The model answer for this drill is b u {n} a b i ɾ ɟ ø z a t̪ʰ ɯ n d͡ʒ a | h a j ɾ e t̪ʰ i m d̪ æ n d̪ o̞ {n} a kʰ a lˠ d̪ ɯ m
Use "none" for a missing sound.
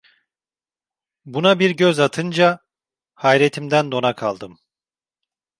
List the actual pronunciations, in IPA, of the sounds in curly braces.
n, n

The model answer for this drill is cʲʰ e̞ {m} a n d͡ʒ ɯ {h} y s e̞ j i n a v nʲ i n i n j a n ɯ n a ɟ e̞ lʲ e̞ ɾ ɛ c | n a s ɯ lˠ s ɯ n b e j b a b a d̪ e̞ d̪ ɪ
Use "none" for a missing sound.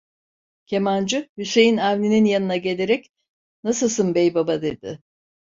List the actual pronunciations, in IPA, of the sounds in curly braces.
m, h

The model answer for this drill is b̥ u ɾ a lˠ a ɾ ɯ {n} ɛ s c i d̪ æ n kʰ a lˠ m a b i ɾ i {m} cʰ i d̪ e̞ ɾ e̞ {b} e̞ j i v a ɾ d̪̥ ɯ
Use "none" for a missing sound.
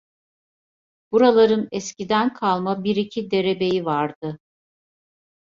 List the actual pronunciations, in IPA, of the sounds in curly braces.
n, none, b

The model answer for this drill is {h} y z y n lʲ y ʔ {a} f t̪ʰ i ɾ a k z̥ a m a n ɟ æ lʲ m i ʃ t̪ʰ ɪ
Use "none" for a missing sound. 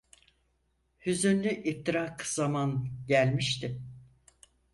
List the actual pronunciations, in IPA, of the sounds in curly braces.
h, i

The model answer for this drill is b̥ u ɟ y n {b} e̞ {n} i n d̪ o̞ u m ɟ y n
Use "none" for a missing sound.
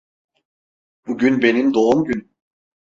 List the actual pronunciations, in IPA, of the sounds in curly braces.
b, n

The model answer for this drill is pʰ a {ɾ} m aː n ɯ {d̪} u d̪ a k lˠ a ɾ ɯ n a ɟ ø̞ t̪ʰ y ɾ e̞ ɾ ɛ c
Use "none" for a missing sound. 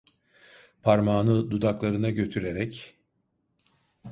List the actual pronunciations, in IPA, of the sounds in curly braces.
ɾ, d̪

